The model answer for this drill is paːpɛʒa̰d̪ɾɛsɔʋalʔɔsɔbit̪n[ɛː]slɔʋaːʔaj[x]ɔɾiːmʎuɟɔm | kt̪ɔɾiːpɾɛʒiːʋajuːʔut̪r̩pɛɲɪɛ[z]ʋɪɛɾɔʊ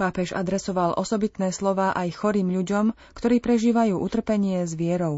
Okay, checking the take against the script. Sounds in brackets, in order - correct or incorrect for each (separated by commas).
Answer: correct, correct, correct